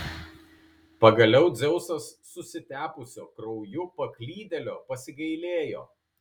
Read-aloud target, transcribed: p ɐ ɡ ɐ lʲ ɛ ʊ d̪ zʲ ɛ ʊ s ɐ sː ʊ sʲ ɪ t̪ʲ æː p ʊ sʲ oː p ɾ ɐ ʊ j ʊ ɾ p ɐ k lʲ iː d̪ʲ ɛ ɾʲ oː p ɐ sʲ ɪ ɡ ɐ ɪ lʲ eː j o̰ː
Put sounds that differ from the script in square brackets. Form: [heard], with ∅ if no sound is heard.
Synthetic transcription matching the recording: p ɐ ɡ ɐ lʲ ɛ ʊ d̪ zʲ ɛ ʊ s ɐ sː ʊ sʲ ɪ t̪ʲ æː p ʊ sʲ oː [k] ɾ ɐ ʊ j ʊ [∅] p ɐ k lʲ iː d̪ʲ ɛ [lʲ] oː p ɐ sʲ ɪ ɡ ɐ ɪ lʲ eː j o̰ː